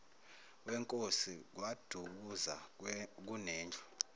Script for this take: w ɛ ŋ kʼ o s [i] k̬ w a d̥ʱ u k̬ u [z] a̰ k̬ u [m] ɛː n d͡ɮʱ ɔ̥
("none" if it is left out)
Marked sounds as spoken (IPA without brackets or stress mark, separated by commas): i, z, n